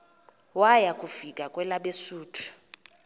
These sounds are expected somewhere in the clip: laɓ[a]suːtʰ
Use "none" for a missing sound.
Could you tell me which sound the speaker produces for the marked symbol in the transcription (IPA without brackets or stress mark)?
e